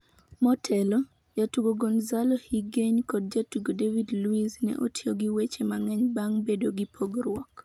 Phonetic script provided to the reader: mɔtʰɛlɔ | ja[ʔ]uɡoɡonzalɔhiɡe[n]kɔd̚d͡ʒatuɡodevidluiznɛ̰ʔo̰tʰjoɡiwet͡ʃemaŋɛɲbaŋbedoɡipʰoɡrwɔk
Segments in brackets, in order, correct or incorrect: incorrect, incorrect

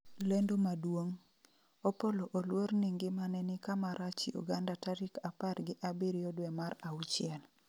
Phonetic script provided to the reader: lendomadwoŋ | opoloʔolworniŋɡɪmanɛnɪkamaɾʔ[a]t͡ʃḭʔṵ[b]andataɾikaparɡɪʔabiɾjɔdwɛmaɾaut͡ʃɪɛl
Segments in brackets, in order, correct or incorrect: correct, incorrect

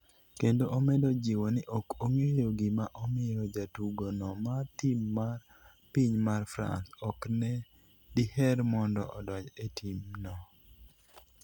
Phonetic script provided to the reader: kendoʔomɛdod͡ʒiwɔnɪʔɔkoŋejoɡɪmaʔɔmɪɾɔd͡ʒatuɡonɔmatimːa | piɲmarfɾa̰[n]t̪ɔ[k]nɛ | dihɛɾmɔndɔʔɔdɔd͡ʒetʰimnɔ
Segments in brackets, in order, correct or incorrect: correct, correct

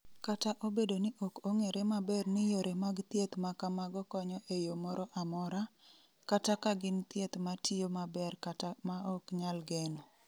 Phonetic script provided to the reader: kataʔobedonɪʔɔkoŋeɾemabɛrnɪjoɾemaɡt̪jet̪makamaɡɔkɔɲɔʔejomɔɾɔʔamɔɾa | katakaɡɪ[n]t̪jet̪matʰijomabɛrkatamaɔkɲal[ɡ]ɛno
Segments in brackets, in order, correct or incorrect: correct, correct

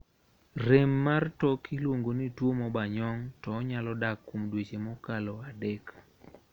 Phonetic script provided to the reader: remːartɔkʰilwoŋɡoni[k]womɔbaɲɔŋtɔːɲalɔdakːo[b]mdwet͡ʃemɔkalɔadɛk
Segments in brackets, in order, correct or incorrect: incorrect, incorrect

